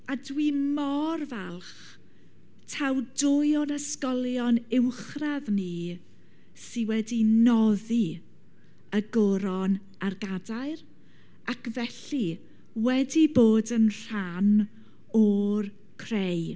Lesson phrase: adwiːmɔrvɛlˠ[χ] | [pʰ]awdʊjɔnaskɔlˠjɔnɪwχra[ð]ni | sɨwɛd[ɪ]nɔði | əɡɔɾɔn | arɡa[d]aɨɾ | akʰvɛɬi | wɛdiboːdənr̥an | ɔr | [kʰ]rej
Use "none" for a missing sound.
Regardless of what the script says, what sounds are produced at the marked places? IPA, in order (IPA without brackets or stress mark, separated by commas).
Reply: χ, tʰ, ð, i, d, kʰ